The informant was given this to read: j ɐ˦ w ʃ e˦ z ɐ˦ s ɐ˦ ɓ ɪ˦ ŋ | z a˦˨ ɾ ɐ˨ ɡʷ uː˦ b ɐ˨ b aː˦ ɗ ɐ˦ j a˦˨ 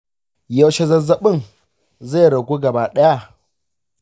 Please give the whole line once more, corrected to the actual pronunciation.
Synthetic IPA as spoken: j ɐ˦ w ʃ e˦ z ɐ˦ z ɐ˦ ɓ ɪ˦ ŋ | z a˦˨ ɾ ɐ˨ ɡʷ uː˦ ɡ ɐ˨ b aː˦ ɗ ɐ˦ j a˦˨